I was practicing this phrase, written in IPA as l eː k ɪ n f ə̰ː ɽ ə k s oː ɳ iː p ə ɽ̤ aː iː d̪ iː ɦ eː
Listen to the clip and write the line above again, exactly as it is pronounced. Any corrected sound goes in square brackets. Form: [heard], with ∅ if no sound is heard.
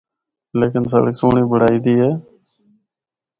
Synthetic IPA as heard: l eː k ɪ n [s] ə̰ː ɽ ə k s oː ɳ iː [b] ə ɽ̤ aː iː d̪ iː ɦ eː